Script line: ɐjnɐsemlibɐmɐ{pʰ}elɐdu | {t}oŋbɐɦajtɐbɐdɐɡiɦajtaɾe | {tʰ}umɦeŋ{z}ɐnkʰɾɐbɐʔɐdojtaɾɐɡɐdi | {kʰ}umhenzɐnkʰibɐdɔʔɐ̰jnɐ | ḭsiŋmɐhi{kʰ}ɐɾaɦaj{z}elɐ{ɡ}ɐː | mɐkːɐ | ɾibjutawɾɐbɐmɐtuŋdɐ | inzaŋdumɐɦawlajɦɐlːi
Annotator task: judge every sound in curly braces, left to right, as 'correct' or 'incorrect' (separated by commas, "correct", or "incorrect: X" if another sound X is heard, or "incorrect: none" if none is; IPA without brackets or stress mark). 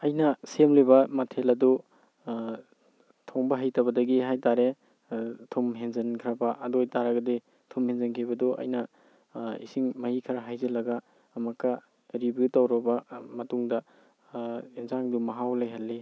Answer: incorrect: tʰ, incorrect: tʰ, correct, correct, incorrect: tʰ, correct, correct, correct